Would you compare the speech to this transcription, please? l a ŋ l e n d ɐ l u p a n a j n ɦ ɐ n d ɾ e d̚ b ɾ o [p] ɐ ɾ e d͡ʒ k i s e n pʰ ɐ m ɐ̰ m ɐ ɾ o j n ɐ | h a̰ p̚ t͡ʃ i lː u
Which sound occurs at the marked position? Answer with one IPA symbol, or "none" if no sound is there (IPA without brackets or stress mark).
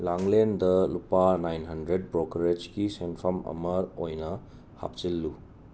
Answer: k